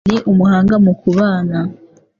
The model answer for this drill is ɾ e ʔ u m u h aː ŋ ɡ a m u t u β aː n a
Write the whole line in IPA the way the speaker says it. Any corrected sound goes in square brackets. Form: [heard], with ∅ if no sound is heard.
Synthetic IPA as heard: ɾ e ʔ u m u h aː ŋ ɡ a m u [k] u β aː n a